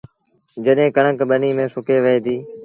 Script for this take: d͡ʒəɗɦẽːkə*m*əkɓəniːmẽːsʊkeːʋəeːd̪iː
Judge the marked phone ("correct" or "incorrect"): incorrect